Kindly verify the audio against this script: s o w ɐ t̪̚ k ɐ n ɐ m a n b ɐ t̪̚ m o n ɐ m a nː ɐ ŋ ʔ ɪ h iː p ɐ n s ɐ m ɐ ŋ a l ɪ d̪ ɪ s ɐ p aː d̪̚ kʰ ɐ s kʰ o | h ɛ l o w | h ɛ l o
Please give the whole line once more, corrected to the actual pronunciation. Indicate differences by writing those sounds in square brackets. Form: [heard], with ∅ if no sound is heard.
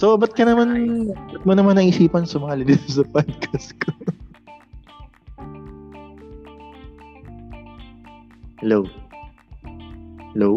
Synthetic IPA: s o [b] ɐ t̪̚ k ɐ n ɐ m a n b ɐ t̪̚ m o n ɐ m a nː ɐ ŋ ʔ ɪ [s] iː p ɐ n s ɐ m ɐ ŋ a l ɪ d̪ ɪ s ɐ p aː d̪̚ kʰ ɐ s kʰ o | h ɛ l o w | h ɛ l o